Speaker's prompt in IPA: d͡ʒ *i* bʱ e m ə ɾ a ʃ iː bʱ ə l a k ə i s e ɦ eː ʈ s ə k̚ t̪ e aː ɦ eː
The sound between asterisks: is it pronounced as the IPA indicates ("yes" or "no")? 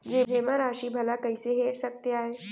no